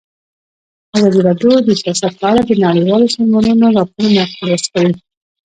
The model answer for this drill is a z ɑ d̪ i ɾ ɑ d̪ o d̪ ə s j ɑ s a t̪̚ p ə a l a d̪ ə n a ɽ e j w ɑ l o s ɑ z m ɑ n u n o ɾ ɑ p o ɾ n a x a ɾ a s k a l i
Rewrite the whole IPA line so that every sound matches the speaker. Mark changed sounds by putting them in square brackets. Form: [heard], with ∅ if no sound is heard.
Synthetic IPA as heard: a z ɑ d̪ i ɾ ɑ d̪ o d̪ ə s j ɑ s a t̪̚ p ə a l a d̪ ə n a ɽ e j w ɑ l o s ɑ z m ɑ n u n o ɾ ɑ p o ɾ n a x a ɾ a s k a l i